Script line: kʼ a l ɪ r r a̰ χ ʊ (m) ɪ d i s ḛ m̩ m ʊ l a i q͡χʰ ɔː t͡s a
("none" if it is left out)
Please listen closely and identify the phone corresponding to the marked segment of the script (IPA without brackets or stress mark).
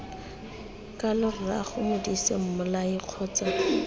m